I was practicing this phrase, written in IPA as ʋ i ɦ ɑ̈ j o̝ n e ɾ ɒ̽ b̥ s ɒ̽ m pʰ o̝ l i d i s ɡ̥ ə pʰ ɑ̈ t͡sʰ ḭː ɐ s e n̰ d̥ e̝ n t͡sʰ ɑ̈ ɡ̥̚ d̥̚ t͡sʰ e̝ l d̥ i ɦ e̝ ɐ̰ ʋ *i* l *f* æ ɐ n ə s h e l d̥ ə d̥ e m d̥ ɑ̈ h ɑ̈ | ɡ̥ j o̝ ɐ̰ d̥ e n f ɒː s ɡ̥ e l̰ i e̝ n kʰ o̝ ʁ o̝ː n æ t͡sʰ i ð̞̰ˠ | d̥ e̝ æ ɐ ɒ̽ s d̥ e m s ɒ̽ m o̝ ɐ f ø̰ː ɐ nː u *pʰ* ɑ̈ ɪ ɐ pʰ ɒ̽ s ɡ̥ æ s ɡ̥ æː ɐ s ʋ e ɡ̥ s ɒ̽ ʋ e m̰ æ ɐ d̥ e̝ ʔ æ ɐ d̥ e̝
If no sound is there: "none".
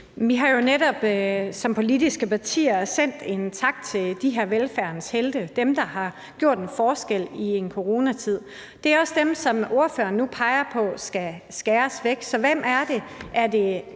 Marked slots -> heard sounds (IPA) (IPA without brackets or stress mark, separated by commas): e, f, pʰ